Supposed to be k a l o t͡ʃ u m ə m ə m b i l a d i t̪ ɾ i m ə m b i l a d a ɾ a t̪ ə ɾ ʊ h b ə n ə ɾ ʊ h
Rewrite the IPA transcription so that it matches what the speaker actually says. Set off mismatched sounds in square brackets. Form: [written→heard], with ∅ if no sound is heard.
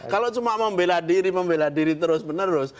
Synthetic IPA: k a l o t͡ʃ u m [ə→a] m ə m b [i→e] l a d i [t̪→∅] ɾ i m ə m b [i→e] l a d [a→i] ɾ [a→i] t̪ ə ɾ ʊ [h→s] b ə n ə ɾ ʊ [h→s]